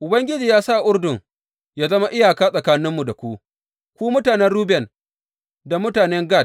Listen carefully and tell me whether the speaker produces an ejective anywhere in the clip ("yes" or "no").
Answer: yes